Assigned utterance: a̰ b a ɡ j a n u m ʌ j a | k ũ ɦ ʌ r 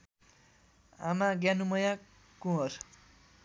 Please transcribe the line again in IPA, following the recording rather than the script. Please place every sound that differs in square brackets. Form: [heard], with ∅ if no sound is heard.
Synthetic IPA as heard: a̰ [m] a ɡ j a n u m ʌ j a | k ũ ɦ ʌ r